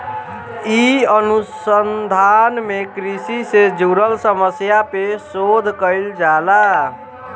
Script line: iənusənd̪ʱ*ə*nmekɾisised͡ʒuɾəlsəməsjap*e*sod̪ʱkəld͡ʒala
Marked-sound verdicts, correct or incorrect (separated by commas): incorrect, correct